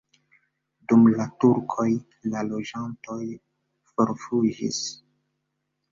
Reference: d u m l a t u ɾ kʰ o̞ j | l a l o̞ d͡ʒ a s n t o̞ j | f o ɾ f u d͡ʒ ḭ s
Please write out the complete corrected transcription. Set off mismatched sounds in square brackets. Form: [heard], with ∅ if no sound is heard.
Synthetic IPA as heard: d u m l a t u ɾ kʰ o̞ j | l a l o̞ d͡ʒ a [∅] n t o̞ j | f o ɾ f u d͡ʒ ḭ s